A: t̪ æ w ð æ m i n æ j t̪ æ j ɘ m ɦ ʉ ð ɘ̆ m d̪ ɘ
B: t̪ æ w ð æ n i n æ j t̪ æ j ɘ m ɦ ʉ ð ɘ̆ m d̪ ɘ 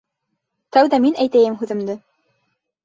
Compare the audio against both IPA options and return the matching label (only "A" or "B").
A